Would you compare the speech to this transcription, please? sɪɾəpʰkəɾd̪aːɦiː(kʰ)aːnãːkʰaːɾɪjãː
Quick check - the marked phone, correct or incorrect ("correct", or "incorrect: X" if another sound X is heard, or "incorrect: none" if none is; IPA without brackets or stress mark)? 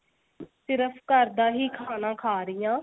correct